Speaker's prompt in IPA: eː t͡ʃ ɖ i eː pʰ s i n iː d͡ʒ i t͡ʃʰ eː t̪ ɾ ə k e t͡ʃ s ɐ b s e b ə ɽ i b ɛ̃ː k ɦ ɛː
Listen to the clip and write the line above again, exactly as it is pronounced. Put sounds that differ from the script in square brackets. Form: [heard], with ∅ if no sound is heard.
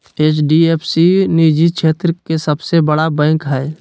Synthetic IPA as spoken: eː t͡ʃ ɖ i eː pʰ s i n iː d͡ʒ i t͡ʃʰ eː t̪ ɾ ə k e [∅] s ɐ b s e b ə ɽ [a] b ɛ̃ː k ɦ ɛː